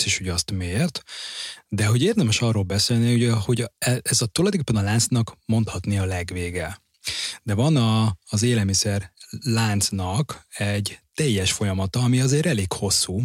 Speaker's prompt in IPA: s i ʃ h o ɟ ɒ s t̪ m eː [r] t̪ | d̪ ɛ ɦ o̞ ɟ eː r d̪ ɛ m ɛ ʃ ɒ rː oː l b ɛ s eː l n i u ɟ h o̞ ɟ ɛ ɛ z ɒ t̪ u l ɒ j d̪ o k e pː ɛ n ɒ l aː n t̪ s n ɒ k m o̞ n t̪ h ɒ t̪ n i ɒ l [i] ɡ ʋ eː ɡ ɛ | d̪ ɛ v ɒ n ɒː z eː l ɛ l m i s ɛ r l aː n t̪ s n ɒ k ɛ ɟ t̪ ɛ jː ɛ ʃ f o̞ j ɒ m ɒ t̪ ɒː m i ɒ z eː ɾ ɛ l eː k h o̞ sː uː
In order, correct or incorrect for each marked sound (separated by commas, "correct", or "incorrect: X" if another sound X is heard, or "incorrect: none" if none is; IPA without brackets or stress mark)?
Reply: correct, incorrect: ɛ